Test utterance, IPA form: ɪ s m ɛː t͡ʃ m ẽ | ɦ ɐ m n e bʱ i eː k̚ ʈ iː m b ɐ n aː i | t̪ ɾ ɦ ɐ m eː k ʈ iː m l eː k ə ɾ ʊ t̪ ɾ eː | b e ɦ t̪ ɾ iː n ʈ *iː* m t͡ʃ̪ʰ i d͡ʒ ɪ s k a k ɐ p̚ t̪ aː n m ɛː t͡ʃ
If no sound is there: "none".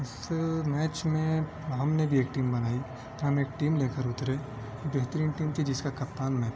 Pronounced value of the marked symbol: iː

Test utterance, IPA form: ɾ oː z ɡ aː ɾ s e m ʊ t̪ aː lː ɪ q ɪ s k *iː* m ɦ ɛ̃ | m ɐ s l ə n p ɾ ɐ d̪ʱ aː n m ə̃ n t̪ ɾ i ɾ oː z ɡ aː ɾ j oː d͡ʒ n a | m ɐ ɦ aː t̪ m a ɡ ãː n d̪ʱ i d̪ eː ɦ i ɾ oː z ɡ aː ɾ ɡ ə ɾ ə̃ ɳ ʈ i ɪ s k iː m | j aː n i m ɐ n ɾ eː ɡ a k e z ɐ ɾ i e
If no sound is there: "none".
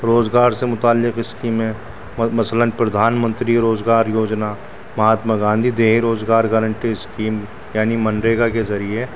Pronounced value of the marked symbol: iː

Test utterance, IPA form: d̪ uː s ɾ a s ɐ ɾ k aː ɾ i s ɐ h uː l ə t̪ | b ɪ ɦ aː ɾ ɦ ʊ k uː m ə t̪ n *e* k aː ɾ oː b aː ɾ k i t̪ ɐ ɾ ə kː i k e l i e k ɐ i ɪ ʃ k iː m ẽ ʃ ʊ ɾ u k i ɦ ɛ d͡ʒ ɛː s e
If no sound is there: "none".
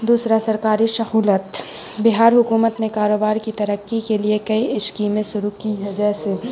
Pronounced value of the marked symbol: e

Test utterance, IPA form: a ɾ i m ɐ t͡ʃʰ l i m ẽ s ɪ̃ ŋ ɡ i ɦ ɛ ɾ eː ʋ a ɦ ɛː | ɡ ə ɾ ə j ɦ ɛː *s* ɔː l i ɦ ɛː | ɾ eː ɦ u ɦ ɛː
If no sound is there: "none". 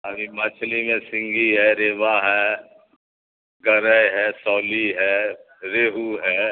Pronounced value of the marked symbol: s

